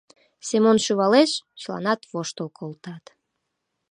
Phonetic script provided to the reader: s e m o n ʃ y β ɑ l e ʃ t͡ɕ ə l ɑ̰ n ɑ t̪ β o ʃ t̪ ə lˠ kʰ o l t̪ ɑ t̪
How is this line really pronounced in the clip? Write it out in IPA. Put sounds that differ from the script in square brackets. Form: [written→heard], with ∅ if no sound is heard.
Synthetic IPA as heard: s e m o n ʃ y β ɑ l e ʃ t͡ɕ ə l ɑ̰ n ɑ t̪ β o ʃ t̪ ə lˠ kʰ o l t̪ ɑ t̪

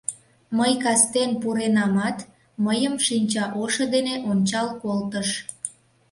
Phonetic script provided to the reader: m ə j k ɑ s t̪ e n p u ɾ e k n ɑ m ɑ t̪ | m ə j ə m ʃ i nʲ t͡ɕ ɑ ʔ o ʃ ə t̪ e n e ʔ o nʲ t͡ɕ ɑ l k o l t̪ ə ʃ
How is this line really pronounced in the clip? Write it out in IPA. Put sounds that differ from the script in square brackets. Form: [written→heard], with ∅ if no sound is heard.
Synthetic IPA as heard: m ə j k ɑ s t̪ e n p u ɾ e [k→∅] n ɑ m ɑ t̪ | m ə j ə m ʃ i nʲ t͡ɕ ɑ ʔ o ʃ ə [t̪→d̪] e n e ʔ o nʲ t͡ɕ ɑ l k o l t̪ ə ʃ

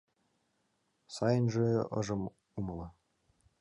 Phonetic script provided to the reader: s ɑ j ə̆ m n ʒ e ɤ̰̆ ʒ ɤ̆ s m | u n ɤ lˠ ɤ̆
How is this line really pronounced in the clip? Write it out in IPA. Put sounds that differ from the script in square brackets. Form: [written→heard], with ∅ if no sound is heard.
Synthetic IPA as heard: s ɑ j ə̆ [m→∅] n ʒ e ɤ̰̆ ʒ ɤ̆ [s→∅] m | u [n→m] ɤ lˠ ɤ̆

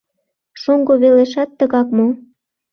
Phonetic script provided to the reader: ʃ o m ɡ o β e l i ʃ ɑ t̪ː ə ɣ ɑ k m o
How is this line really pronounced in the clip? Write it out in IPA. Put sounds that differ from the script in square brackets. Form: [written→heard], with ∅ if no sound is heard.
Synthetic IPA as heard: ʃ o [m→ŋ] ɡ o β e l [i→e] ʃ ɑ t̪ː ə ɣ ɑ k m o

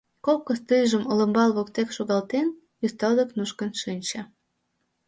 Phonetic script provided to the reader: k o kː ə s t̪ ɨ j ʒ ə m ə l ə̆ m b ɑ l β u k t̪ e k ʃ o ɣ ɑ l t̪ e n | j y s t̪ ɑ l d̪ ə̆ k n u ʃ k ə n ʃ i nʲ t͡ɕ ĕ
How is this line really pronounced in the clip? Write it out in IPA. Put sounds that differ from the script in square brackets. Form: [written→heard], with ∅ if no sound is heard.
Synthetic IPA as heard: k o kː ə s t̪ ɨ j ʒ ə m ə l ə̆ m b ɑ l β [u→o] k t̪ e k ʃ o ɣ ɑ l t̪ e n | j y s t̪ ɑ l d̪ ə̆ k n u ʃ k ə n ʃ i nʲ t͡ɕ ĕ

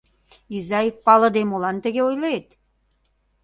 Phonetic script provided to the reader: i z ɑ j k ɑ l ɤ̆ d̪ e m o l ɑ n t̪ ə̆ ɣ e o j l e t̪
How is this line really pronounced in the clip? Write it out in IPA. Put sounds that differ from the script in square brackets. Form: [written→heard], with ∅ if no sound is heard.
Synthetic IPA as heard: i z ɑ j [k→p] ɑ l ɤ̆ d̪ e m o l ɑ n t̪ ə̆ ɣ e o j l e t̪

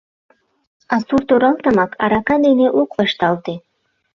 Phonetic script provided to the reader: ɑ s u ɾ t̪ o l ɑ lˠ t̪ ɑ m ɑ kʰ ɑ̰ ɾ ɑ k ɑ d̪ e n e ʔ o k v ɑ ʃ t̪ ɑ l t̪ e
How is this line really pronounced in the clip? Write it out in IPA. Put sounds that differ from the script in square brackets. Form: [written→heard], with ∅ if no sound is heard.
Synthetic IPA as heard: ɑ s u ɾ t̪ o [l→ɾ] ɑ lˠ t̪ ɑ m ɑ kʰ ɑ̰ ɾ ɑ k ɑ d̪ e n e ʔ o k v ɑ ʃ t̪ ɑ l t̪ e

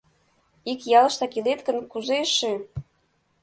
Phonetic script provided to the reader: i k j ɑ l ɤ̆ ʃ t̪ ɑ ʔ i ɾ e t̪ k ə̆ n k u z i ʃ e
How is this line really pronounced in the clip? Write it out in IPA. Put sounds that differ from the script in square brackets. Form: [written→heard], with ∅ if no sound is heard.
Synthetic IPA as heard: i k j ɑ l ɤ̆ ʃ t̪ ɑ [ʔ→k] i [ɾ→l] e t̪ k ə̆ n k u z [i→e] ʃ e

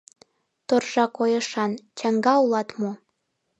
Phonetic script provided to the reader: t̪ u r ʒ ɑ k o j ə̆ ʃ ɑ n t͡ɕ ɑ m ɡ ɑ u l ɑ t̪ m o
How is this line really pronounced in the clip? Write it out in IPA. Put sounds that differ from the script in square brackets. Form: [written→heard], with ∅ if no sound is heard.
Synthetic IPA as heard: t̪ [u→o] r ʒ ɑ k o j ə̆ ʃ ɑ n t͡ɕ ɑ [m→ŋ] ɡ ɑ u l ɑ t̪ m o

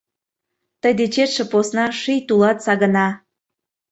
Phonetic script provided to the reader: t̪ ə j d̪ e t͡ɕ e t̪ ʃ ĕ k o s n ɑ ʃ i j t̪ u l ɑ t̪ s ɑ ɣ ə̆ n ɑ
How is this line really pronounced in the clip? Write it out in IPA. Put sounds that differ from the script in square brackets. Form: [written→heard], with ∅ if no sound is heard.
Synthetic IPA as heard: t̪ ə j d̪ e t͡ɕ e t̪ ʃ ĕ [k→p] o s n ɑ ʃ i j t̪ u l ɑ t̪ s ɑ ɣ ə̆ n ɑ

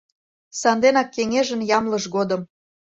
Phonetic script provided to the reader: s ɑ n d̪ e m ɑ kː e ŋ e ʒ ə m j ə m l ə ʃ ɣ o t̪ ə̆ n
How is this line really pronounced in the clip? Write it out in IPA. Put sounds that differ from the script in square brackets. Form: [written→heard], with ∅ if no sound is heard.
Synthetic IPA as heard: s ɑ n d̪ e [m→n] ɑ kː e ŋ e ʒ ə [m→n] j [ə→ɑ] m l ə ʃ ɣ o [t̪→d̪] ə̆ [n→m]

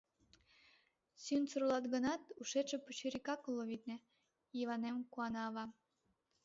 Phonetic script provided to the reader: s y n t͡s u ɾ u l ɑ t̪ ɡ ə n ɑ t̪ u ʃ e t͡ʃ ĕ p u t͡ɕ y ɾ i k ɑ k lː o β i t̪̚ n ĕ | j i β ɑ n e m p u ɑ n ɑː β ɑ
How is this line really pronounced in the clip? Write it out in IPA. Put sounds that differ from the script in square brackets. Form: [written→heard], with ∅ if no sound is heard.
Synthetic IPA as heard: s y n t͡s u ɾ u l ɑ t̪ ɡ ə n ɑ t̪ u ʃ e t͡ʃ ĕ p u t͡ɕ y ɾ i k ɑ k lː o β i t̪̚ n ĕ | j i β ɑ n e m [p→k] u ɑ n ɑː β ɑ

